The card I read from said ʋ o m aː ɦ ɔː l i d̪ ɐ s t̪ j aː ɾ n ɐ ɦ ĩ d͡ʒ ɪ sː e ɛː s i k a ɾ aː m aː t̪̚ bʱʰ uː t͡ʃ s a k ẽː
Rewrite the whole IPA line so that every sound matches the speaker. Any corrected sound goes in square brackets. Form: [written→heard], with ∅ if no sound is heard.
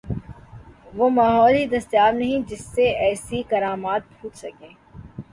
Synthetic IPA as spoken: ʋ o m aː ɦ ɔː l i d̪ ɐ s t̪ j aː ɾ n ɐ ɦ ĩ d͡ʒ ɪ sː e ɛː s i k [a→ɐ] ɾ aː m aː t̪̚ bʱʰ uː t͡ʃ s [a→ɐ] k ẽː